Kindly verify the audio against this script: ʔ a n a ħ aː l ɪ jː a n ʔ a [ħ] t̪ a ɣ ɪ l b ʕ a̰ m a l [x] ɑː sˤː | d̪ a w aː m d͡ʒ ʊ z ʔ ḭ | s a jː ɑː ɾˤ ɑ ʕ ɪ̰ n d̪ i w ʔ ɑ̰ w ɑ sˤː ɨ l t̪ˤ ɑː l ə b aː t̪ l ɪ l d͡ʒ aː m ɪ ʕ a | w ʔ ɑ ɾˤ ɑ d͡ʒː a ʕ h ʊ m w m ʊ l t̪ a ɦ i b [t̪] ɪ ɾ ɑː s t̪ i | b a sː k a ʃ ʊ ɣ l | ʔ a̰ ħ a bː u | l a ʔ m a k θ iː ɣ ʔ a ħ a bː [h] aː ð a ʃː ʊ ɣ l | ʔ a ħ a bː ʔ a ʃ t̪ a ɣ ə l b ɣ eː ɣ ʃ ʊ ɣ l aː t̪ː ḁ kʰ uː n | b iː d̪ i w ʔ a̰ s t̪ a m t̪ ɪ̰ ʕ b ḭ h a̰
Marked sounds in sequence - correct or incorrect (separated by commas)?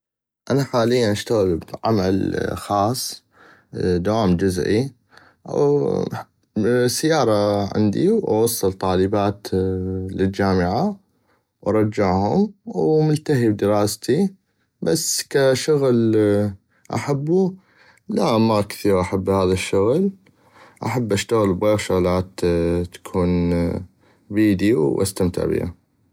incorrect, correct, incorrect, correct